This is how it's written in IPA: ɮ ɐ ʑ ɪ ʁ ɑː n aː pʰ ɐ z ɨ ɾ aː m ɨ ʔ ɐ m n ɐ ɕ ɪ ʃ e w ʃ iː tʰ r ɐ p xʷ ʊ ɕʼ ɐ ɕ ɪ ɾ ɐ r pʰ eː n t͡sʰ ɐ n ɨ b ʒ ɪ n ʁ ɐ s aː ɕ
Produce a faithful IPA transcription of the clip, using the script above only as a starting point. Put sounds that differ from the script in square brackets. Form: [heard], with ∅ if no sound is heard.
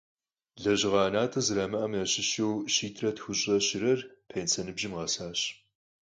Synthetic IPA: ɮ ɐ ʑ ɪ ʁ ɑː n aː [tʰ] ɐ z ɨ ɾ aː m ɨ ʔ ɐ m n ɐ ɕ ɪ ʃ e w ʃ iː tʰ r ɐ [t] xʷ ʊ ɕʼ ɐ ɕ ɪ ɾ ɐ r pʰ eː n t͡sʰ ɐ n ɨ b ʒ ɪ [m] ʁ ɐ s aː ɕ

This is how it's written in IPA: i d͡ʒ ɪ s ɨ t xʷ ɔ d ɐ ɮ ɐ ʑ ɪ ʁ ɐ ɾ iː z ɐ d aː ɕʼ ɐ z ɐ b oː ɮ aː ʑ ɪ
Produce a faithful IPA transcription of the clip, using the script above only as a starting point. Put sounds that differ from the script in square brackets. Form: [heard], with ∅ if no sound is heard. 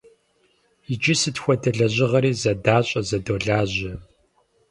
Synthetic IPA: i d͡ʒ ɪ s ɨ t xʷ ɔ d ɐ ɮ ɐ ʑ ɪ ʁ ɐ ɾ iː z ɐ d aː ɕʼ ɐ z ɐ [d] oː ɮ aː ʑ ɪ

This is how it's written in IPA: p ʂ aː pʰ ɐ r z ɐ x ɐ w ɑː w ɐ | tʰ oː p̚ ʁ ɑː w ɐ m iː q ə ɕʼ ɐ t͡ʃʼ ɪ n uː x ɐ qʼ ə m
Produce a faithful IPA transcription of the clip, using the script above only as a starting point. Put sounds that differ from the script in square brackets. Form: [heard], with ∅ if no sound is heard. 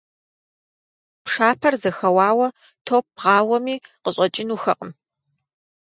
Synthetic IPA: p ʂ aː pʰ ɐ r z ɐ x ɐ w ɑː w ɐ | tʰ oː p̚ ʁ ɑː w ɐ m iː q ə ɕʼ ɐ t͡ʃʼ ɪ n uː x ɐ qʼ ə m

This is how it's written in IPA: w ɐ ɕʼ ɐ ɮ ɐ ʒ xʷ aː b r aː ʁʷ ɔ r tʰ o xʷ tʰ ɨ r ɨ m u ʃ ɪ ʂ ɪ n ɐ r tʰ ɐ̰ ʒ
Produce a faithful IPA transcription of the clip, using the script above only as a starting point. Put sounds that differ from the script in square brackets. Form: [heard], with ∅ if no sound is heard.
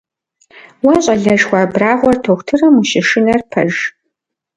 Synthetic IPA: w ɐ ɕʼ ɐ ɮ ɐ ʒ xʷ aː b r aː ʁʷ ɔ r tʰ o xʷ tʰ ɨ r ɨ m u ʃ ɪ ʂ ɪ n ɐ r [pʰ] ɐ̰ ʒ

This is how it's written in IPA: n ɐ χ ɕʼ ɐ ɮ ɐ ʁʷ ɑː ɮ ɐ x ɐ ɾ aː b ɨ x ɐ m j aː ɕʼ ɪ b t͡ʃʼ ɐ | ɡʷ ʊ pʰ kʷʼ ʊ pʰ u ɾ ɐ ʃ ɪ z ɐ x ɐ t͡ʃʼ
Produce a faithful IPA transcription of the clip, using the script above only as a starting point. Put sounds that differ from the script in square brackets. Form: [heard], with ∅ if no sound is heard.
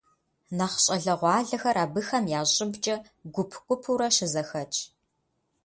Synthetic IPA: n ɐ χ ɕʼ ɐ ɮ ɐ ʁʷ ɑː ɮ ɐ x ɐ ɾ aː b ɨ x ɐ m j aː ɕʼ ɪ b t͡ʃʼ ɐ | ɡʷ ʊ pʰ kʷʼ ʊ pʰ u ɾ ɐ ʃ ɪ z ɐ x ɐ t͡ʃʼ

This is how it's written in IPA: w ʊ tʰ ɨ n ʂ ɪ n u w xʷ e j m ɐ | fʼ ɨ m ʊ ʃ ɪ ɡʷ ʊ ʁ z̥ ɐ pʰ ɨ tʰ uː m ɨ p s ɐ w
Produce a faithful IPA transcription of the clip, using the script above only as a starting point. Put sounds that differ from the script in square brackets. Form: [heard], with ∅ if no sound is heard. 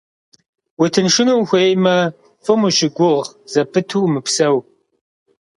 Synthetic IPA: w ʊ tʰ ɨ n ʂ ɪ n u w xʷ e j m ɐ | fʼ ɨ m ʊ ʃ ɪ ɡʷ ʊ ʁ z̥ ɐ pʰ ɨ tʰ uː m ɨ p s ɐ w

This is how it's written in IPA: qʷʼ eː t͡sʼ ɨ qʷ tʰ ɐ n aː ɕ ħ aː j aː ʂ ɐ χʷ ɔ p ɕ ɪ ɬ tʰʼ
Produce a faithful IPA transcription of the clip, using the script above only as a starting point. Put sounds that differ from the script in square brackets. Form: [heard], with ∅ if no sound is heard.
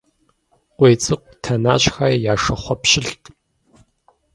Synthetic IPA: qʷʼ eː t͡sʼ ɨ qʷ tʰ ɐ n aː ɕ [x] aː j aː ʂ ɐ χʷ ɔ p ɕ ɪ ɬ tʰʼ

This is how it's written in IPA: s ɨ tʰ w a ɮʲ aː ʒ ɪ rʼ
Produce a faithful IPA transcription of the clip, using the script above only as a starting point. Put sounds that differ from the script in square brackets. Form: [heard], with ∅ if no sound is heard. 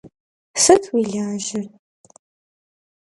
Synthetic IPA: s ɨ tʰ w [i] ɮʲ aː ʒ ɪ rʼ

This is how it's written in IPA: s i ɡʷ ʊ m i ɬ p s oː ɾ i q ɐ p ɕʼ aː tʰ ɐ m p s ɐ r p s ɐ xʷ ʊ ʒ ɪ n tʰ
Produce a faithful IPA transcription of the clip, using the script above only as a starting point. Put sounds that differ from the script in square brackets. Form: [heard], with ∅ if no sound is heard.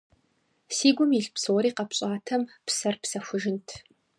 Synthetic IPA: s [iː] ɡʷ ʊ m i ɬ p s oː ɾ [iː] q ɐ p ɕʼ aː tʰ ɐ m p s ɐ r p s ɐ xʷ ʊ ʒ ɪ n tʰ

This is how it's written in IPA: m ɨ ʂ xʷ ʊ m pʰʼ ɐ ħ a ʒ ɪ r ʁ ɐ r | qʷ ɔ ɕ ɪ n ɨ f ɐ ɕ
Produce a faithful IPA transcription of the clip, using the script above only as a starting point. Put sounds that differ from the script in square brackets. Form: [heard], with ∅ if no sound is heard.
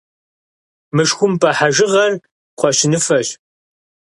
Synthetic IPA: m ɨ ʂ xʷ ʊ m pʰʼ ɐ ħ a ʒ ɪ [∅] ʁ ɐ r | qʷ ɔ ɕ ɪ n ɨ f ɐ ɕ

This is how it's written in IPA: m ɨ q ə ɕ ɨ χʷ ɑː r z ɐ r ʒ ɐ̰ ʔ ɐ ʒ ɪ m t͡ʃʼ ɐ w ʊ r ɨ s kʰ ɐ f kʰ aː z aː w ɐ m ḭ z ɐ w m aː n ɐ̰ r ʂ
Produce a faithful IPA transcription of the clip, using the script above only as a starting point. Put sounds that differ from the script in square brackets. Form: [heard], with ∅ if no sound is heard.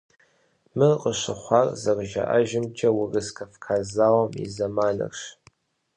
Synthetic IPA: m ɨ q ə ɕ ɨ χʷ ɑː r z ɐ r ʒ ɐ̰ ʔ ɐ ʒ ɪ m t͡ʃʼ ɐ w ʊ r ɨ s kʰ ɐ f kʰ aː z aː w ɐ m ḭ z ɐ [∅] m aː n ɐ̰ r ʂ

